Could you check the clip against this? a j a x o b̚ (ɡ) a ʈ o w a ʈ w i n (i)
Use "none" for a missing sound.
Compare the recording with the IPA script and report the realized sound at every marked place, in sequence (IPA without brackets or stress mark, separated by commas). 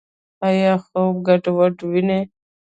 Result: ɡ, e